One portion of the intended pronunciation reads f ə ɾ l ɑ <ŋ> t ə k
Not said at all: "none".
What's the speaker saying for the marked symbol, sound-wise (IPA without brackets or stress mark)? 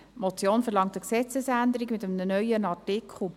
ŋ